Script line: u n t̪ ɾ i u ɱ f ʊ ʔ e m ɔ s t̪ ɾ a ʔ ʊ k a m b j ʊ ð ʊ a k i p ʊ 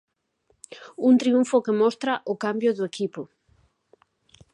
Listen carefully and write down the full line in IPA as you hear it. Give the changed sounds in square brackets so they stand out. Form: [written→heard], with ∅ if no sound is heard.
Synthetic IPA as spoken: u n t̪ ɾ i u ɱ f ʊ [ʔ→k] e m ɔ s t̪ ɾ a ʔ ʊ k a m b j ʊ ð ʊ [a→e] k i p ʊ